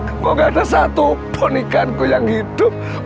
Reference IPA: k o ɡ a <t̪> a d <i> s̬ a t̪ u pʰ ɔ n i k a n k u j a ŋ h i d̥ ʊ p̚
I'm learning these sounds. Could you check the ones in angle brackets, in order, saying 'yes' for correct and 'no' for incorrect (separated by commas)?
no, no